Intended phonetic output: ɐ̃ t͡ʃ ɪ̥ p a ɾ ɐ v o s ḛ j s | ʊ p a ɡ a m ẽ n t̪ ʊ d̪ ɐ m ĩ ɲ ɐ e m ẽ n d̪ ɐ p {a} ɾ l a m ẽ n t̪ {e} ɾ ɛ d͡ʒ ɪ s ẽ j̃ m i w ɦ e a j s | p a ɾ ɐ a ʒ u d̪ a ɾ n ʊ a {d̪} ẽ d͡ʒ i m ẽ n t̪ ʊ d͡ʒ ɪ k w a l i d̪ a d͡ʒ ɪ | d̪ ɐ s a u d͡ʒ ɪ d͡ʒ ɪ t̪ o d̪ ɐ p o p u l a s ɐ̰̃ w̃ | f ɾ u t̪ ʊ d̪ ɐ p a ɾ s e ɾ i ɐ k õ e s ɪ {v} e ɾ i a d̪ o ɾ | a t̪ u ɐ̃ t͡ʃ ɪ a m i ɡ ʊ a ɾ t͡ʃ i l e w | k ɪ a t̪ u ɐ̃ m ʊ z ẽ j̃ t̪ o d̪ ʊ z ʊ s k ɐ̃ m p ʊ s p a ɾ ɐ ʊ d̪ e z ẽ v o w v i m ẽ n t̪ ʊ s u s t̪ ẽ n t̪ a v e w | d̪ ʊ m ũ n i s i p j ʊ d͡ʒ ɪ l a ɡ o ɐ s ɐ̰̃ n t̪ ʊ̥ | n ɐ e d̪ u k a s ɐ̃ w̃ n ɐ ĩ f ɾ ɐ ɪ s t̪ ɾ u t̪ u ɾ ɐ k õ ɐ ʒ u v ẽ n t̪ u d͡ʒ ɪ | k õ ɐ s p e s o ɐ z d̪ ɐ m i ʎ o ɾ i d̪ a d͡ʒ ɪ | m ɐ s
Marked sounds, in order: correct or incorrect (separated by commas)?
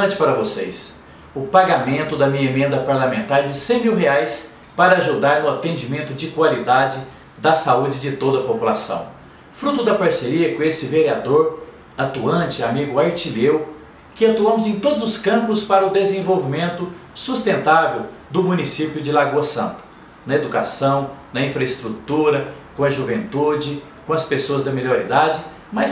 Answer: correct, incorrect, incorrect, correct